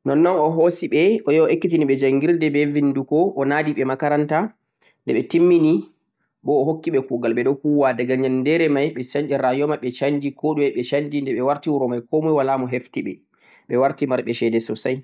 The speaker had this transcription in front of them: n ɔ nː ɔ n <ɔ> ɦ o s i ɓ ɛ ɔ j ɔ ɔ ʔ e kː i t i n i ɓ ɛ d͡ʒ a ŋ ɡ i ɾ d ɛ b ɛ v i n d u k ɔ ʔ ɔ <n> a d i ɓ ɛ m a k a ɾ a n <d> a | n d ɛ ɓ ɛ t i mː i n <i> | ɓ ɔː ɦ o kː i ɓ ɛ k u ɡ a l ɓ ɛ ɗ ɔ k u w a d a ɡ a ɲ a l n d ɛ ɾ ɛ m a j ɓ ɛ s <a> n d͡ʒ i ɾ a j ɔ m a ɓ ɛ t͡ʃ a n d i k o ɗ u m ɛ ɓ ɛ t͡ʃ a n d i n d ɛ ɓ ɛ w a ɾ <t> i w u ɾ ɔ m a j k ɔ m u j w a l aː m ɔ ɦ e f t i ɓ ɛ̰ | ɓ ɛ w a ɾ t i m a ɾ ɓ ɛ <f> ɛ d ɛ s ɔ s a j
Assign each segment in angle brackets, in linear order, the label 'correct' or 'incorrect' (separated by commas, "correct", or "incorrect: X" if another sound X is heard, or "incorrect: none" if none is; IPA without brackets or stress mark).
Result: correct, correct, incorrect: t, correct, correct, correct, incorrect: ʃ